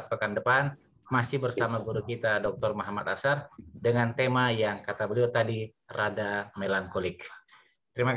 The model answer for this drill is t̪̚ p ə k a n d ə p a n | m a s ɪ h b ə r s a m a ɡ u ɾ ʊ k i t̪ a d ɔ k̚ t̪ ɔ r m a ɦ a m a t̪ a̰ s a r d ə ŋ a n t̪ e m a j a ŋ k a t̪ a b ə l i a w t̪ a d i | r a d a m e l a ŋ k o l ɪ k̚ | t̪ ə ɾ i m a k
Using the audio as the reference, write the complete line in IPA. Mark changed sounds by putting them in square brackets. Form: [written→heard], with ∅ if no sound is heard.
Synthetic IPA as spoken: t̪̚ p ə k a n d ə p a n | m a s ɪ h b ə r s a m a ɡ u ɾ [ʊ→u] k i t̪ a d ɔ k̚ t̪ ɔ r m a ɦ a m a t̪ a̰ s a r d ə ŋ a n t̪ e m a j a ŋ k a t̪ a b ə l i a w t̪ a d i | r a d a m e l a ŋ k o l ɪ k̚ | t̪ ə ɾ i m a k